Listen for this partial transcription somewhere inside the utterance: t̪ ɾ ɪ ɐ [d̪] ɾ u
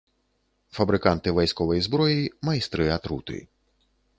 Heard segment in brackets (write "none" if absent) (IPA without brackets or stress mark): t̪